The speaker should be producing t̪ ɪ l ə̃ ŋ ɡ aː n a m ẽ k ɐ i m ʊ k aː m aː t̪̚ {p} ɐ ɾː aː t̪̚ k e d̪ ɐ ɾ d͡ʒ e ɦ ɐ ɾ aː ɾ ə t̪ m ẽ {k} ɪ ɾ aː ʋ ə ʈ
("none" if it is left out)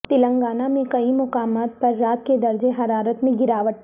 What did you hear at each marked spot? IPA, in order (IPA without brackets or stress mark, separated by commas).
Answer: p, ɡ